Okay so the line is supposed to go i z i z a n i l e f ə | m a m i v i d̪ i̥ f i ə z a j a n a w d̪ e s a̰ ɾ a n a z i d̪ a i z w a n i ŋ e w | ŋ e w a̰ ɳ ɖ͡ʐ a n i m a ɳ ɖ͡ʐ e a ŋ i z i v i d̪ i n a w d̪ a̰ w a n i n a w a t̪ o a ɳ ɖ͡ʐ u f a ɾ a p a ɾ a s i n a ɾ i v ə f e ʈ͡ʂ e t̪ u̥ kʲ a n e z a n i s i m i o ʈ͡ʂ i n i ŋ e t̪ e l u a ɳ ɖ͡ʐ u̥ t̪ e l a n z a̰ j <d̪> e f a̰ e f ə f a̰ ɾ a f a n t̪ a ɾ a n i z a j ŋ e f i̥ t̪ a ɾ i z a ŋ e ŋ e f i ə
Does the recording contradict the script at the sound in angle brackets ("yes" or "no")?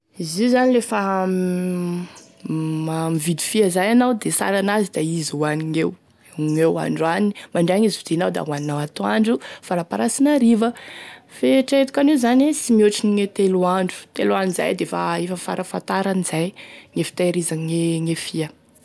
no